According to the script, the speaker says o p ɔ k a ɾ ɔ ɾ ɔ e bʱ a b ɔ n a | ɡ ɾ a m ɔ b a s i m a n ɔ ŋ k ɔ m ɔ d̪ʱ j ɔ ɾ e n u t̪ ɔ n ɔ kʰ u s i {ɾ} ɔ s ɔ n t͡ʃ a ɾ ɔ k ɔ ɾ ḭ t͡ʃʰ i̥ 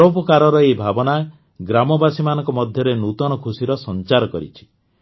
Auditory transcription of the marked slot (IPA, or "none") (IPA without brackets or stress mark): ɾ